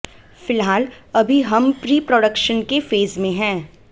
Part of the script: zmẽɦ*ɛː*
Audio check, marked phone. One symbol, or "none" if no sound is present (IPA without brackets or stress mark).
ɛ̃ː